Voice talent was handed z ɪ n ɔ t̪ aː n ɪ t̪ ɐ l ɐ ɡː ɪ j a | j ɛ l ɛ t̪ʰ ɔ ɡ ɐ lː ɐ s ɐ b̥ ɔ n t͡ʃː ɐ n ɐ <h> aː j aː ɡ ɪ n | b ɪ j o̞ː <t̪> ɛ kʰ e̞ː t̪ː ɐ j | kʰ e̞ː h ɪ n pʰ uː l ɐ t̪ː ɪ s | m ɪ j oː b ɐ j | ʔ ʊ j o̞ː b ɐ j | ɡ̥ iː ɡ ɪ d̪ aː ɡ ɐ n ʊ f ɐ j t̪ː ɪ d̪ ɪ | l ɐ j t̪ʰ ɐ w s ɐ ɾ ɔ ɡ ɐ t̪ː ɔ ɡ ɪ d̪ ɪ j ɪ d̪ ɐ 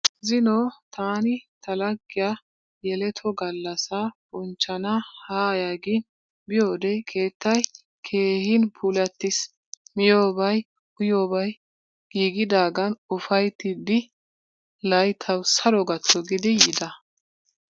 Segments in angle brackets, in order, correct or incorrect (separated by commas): correct, incorrect